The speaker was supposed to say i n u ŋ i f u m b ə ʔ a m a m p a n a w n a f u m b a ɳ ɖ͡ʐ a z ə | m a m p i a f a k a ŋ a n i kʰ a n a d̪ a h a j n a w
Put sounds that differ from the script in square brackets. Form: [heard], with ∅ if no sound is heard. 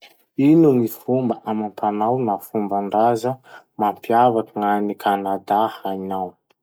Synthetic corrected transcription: i n u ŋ i f u m b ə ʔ a m a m p a n a w n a f u m b a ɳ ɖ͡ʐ a z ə | m a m p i a [v] a k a ŋ a n i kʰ a n a d̪ a h a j n a w